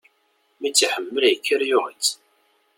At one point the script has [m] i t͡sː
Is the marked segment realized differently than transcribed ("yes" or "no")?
no